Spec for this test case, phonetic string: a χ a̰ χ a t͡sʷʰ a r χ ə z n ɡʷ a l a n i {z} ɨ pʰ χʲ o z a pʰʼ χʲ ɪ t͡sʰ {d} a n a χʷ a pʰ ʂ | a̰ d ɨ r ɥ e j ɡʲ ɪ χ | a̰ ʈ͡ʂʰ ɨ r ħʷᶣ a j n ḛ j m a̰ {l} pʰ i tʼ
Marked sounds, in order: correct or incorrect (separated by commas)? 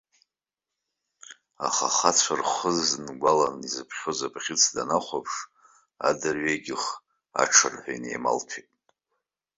correct, correct, correct